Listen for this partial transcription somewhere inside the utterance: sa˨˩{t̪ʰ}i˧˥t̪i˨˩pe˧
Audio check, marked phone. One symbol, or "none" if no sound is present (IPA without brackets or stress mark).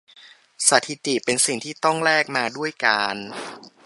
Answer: t̪ʰ